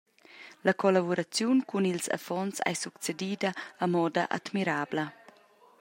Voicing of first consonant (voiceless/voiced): voiced